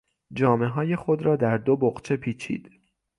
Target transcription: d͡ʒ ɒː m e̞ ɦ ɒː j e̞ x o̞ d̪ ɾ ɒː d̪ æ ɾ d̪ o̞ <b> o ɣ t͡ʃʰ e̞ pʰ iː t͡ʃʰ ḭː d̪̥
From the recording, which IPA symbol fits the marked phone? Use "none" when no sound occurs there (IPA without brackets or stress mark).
b